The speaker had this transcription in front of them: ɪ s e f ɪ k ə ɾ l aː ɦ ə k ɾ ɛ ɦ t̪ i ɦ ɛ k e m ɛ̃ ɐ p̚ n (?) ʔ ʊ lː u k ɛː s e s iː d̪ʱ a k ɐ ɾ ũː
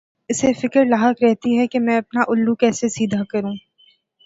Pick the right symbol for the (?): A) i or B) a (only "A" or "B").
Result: B